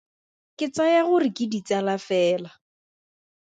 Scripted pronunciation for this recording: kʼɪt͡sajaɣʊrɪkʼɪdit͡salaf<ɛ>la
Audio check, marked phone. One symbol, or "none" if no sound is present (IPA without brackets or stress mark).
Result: ɛː